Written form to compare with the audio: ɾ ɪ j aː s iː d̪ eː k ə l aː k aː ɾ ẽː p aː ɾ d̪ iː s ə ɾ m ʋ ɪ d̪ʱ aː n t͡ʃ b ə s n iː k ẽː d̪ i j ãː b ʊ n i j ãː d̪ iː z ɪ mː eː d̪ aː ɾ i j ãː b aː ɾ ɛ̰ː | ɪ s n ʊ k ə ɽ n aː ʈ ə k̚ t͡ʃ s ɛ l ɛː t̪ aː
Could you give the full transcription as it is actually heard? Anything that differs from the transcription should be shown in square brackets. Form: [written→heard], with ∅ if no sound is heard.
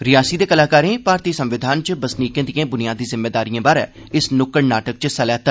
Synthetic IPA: ɾ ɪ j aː s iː d̪ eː k ə l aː k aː ɾ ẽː p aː ɾ [d̪→t̪] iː s ə [ɾ→∅] m ʋ ɪ d̪ʱ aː n t͡ʃ b ə s n iː k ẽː d̪ i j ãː b ʊ n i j [ãː→aː] d̪ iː z ɪ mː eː d̪ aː ɾ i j ãː b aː ɾ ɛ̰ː | ɪ s n ʊ k ə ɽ n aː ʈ ə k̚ t͡ʃ s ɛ l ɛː t̪ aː